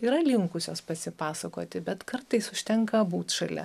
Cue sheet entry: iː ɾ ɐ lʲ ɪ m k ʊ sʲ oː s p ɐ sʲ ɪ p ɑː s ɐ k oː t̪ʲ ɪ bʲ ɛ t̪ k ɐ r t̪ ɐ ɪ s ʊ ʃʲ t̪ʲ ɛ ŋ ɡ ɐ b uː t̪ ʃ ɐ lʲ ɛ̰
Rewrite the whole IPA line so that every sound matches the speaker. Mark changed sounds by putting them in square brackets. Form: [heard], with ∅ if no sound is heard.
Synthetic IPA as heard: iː ɾ ɐ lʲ ɪ [ŋ] k ʊ sʲ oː s p ɐ sʲ ɪ p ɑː s ɐ k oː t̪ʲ ɪ bʲ ɛ t̪ k ɐ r t̪ ɐ ɪ s ʊ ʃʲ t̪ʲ ɛ ŋ [k] ɐ b uː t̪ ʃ ɐ lʲ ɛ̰